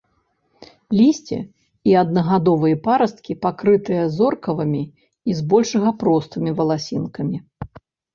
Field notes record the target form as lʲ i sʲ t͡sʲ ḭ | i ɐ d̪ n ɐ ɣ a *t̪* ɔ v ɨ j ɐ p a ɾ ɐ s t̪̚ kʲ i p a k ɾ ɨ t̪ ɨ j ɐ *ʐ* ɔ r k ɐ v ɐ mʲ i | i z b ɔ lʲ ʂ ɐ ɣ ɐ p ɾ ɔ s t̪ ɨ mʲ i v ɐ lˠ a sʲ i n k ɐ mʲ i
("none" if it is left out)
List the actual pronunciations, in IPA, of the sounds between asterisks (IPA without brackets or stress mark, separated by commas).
d̪, z